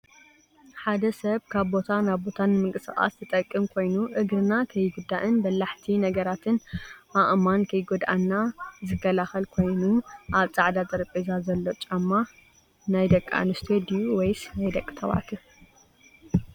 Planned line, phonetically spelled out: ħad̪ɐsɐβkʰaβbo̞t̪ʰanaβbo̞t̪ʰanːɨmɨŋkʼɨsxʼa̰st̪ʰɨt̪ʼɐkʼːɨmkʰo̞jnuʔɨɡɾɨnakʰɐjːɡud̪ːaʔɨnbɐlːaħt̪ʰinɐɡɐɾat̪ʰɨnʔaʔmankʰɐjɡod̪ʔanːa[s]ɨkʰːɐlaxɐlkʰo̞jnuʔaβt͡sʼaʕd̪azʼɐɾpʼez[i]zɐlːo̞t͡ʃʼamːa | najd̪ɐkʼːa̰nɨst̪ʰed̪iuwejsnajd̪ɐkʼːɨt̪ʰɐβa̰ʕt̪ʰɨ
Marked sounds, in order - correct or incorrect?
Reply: incorrect, incorrect

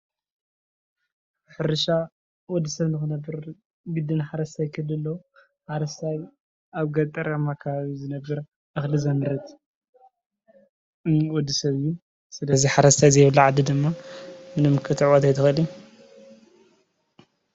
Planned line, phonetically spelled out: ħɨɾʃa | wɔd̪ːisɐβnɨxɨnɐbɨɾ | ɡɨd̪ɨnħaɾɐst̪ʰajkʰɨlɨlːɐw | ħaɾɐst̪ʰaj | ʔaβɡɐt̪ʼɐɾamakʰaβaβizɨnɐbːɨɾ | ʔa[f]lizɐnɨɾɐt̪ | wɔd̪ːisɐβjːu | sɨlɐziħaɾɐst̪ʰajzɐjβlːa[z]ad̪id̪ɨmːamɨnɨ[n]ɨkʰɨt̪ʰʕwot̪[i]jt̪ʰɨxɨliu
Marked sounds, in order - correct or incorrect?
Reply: incorrect, incorrect, incorrect, incorrect

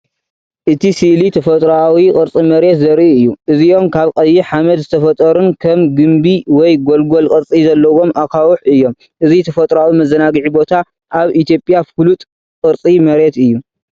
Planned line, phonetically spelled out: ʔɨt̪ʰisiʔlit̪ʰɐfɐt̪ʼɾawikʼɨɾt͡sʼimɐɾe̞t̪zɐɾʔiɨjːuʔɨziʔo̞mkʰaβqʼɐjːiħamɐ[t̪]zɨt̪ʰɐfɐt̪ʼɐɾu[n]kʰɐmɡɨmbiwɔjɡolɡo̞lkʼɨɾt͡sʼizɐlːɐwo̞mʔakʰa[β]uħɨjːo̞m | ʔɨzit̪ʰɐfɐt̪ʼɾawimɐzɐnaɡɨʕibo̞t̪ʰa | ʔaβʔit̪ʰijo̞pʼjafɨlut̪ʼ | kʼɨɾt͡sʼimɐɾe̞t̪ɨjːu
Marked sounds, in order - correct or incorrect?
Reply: incorrect, correct, incorrect

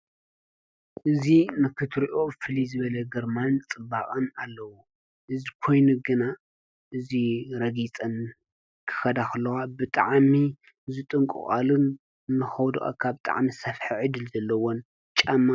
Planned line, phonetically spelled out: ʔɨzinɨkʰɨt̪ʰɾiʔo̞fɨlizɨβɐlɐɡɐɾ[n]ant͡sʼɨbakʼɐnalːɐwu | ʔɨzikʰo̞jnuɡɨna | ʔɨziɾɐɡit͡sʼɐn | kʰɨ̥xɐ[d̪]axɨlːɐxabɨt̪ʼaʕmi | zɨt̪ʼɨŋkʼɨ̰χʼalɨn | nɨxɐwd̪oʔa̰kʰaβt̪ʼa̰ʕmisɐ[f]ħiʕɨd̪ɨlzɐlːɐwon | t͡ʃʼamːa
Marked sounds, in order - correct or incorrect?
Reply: incorrect, correct, correct

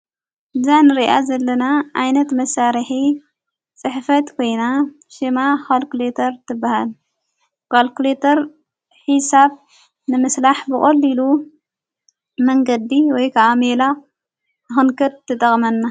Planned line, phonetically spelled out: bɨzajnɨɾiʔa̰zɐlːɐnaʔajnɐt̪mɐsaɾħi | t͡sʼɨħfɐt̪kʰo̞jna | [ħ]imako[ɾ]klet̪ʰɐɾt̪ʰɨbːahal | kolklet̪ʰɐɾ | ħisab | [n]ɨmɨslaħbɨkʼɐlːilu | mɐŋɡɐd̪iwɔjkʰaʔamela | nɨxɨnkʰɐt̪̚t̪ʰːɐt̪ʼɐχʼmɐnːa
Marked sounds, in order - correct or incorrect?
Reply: incorrect, incorrect, correct

